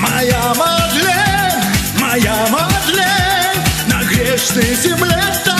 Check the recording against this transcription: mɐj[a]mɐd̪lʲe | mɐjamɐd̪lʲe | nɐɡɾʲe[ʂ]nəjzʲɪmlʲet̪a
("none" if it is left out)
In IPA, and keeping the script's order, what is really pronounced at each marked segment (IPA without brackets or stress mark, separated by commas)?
a, ʂ